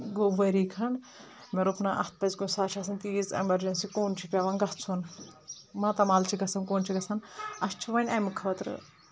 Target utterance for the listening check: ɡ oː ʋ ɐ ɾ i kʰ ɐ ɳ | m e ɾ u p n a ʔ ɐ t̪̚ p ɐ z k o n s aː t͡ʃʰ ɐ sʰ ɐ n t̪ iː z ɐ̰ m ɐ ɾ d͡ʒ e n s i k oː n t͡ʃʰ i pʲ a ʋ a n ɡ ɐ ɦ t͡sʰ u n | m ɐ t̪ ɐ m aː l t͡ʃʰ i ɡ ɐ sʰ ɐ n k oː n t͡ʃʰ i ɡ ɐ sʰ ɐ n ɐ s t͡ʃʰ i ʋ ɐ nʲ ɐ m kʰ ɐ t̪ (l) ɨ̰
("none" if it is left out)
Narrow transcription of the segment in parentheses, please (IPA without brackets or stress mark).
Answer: ɾ